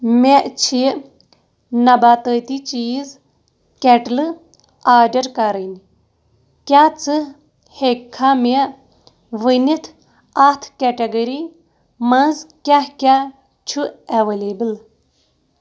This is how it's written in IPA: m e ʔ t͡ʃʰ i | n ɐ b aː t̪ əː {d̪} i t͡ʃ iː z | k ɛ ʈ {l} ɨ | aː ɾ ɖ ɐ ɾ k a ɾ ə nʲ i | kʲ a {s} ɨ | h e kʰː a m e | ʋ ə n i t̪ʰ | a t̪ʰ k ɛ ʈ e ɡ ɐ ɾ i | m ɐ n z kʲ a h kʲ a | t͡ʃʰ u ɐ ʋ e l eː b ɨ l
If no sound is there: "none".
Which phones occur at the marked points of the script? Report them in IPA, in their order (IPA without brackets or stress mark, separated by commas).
t̪, l, t͡s